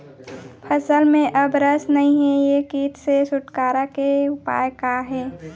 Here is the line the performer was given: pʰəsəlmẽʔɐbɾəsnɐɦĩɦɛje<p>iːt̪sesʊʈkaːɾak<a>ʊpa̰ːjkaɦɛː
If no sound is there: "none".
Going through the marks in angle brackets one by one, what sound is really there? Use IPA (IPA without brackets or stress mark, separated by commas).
k, e